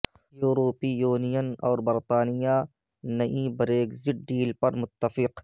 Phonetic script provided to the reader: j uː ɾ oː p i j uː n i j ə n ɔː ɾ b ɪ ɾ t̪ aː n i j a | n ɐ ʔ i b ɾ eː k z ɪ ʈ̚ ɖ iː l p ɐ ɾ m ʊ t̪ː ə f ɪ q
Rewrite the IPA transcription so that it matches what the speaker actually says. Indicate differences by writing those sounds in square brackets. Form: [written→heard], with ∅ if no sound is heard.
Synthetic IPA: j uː ɾ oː p i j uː n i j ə n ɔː ɾ b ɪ ɾ t̪ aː n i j a | n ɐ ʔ i b ɾ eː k z ɪ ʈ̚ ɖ iː l p ɐ ɾ m ʊ t̪ː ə f ɪ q